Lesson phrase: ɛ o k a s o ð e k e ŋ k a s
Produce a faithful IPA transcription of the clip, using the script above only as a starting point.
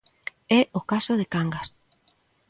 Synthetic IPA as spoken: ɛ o k a s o ð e k a ŋ ɡ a s